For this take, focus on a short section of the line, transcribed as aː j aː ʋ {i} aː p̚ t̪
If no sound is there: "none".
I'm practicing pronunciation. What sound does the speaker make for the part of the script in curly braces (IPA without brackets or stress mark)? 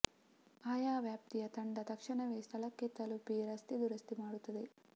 j